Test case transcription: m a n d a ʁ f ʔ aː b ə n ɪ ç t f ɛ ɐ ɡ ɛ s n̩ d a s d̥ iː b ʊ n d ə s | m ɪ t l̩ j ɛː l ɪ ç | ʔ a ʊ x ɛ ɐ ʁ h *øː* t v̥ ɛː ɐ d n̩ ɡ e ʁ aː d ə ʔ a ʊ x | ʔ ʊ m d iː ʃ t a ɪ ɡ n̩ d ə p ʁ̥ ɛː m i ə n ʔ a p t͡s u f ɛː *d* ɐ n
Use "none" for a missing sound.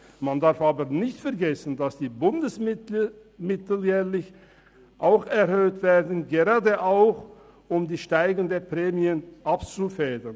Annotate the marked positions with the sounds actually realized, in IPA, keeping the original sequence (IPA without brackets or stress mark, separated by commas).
øː, d